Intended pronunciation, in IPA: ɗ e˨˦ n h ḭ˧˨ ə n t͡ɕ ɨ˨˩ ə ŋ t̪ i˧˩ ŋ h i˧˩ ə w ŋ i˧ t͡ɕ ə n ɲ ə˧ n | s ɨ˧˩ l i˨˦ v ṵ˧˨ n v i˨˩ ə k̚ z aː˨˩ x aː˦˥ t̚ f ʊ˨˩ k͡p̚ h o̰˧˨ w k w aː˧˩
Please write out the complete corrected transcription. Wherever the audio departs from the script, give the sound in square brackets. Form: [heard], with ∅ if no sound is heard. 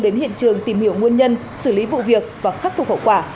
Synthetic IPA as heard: ɗ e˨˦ n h ḭ˧˨ ə n t͡ɕ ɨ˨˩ ə ŋ t̪ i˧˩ [m] h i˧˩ ə w ŋ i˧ [∅] ə n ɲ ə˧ n | s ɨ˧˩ l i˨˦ v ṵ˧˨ [∅] v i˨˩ ə k̚ [v] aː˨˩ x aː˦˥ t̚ f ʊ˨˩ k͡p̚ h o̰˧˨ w k w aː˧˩